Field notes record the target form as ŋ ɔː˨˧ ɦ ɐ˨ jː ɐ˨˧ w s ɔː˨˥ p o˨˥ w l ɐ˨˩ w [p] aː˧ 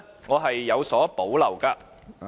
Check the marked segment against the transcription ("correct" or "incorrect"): incorrect